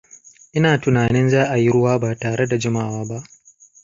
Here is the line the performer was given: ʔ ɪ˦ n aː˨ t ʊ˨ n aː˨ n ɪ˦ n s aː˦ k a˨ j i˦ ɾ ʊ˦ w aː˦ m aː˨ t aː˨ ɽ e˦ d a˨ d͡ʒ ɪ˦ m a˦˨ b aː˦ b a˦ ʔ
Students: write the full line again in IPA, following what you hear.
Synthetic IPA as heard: ʔ ɪ˦ n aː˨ t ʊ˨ n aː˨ n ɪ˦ n z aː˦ ʔ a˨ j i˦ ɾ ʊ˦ w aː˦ b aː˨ t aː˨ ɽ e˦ d a˨ d͡ʒ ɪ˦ m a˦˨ w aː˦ b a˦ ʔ